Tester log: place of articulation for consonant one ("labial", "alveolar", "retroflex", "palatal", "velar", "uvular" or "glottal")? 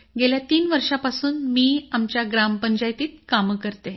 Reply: velar